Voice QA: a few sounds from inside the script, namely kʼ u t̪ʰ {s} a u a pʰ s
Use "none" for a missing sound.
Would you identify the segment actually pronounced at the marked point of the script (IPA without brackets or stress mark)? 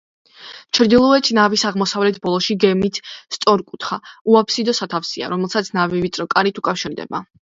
χ